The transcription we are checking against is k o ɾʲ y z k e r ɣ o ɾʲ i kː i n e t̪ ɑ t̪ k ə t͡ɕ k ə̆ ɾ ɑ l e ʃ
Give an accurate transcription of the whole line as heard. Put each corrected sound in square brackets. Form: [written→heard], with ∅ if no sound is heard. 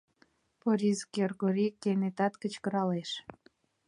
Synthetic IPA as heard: [k→p] o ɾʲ [y→i] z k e r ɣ o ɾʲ i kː [i→e] n e t̪ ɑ t̪ k ə t͡ɕ k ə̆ ɾ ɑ l e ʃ